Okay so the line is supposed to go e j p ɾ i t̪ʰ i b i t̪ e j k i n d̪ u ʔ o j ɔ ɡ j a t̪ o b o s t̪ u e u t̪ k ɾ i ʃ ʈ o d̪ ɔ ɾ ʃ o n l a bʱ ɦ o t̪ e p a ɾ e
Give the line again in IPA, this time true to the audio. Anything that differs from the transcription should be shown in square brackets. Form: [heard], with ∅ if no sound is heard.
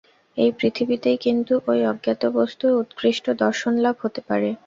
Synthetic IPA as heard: e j p ɾ i t̪ʰ i b i t̪ e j k i n [t̪] u ʔ o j ɔ ɡ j a t̪ o b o s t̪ u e u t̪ k ɾ i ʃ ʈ o d̪ ɔ ɾ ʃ o n l a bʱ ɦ o t̪ e p a ɾ e